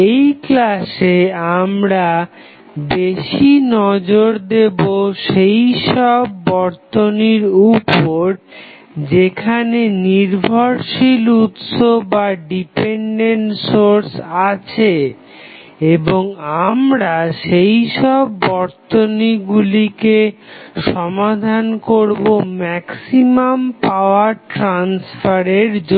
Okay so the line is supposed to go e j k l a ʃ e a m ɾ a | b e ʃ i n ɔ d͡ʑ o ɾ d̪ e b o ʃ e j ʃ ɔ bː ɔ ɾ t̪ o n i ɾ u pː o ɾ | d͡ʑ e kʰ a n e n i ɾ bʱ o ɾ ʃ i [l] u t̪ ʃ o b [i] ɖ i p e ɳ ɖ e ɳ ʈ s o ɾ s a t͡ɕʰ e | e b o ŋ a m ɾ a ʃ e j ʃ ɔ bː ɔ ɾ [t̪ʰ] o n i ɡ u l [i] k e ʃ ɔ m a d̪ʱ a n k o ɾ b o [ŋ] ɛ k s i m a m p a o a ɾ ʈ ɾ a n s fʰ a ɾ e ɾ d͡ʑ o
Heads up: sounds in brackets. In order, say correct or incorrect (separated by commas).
correct, incorrect, incorrect, correct, incorrect